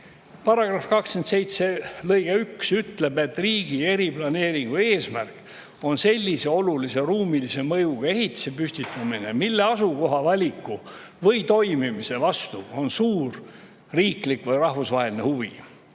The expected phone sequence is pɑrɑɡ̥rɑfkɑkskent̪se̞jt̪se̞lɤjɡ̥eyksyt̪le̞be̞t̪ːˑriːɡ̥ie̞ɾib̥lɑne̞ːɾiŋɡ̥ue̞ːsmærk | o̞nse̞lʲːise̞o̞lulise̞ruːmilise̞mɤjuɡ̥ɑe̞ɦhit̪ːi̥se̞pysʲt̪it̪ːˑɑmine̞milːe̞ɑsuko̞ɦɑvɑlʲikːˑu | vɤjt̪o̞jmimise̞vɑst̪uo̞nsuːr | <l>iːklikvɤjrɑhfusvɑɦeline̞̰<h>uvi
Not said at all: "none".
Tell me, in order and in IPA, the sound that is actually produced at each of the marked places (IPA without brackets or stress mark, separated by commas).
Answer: r, h